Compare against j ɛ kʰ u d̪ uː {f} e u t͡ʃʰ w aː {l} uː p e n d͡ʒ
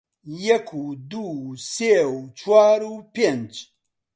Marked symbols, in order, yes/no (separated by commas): no, no